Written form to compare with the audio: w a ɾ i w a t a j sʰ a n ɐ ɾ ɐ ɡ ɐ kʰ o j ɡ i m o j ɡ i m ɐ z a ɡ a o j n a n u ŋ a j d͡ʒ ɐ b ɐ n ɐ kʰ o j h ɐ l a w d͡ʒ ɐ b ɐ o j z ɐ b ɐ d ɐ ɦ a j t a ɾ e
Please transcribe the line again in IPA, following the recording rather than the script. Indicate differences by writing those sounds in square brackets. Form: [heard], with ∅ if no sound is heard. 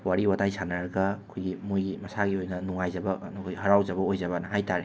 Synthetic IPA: w a ɾ i w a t a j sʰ a n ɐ ɾ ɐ ɡ ɐ kʰ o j ɡ i m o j ɡ i m ɐ [s] a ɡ [i] o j n [ɐ] n u ŋ a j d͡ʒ ɐ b ɐ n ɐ kʰ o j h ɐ [ɾ] a w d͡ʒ ɐ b ɐ o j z ɐ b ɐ [n] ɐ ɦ a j t a ɾ e